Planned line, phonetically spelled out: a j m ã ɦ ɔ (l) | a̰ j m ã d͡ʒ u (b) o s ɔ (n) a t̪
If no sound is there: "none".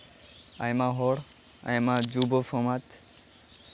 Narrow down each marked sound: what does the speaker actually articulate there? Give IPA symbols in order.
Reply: ɽ, b, m

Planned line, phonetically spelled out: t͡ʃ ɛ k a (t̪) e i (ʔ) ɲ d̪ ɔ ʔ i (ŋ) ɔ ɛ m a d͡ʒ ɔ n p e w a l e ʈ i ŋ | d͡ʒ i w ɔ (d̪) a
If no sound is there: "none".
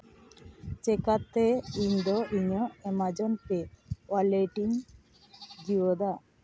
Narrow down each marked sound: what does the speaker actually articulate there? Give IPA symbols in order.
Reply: t̪, none, ɲ, d̪

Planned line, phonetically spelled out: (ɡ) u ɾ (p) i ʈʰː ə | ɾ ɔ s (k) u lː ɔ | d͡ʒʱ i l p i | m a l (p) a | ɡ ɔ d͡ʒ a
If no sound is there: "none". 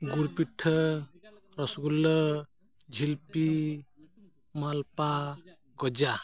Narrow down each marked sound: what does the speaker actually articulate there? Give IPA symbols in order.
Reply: ɡ, p, ɡ, p

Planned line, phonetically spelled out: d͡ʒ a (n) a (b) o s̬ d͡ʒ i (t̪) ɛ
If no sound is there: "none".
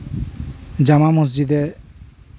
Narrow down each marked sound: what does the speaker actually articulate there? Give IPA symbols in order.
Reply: m, m, d̪

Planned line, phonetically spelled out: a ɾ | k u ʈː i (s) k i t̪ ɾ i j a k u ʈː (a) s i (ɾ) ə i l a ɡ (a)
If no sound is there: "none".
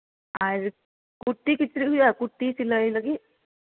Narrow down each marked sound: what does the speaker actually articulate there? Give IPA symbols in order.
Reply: none, i, l, i

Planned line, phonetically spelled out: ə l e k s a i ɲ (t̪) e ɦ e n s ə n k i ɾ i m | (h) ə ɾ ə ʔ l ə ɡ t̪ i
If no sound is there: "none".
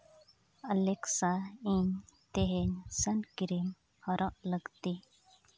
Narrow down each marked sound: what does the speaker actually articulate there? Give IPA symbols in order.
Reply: t̪, h

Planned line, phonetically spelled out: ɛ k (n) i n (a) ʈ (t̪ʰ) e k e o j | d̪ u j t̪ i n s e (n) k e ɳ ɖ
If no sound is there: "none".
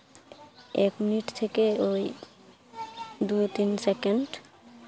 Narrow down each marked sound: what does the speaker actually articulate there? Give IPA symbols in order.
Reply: m, i, t̪ʰ, none

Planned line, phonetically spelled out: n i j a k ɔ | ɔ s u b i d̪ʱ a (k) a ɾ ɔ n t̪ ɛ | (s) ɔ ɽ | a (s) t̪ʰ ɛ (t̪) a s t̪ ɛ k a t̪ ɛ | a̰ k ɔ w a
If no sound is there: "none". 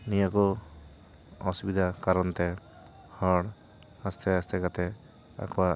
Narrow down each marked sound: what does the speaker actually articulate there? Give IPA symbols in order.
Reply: k, h, s, none

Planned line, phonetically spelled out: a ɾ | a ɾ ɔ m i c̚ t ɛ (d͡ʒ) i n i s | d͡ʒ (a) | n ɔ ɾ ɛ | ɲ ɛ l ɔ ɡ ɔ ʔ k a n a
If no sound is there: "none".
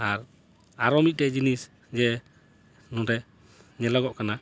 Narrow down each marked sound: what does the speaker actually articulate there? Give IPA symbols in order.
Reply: d͡ʒ, ɛ

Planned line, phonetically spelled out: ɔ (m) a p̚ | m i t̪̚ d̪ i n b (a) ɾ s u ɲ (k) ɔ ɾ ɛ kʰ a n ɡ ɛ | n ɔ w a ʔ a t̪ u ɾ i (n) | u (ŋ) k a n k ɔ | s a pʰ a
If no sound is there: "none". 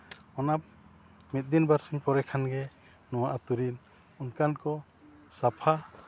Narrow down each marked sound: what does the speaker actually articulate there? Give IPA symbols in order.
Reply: n, a, p, n, n

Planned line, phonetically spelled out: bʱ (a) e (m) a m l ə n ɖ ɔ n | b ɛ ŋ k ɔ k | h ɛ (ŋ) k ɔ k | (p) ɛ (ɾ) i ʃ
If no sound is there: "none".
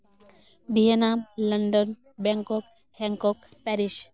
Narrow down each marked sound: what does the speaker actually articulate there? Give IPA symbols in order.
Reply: i, n, ŋ, p, ɾ

